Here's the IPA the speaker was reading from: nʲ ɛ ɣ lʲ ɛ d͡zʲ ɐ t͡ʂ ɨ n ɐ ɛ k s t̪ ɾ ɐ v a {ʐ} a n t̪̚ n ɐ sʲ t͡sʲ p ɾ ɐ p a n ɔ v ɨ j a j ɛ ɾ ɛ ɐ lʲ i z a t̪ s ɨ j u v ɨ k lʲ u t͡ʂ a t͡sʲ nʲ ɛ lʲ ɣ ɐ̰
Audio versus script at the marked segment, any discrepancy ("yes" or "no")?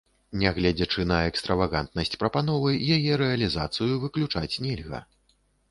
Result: yes